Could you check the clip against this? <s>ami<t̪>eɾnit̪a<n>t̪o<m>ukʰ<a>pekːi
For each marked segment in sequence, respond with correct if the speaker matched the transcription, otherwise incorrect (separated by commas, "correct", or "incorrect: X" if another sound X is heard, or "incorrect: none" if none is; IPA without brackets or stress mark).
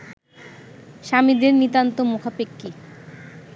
incorrect: ʃ, incorrect: d̪, correct, correct, correct